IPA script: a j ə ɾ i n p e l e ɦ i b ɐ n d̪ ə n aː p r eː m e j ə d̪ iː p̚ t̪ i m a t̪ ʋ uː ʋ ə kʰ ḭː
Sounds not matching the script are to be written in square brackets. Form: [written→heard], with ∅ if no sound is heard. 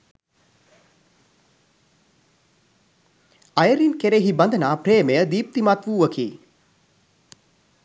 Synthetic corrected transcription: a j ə ɾ i n [p→k] e [l→ɾ] e ɦ i b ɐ n d̪ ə n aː p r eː m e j ə d̪ iː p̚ t̪ i m a t̪ ʋ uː ʋ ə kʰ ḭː